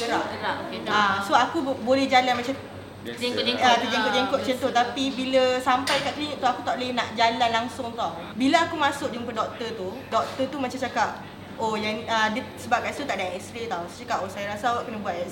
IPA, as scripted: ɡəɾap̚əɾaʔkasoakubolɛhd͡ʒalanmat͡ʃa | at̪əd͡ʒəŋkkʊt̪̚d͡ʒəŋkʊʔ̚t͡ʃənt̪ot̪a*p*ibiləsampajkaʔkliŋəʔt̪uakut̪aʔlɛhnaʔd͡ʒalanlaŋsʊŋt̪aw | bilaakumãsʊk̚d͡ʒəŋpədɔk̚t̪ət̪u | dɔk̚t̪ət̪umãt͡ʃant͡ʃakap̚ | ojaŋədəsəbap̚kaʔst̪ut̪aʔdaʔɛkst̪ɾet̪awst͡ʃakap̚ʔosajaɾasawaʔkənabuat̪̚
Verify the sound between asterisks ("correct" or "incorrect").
correct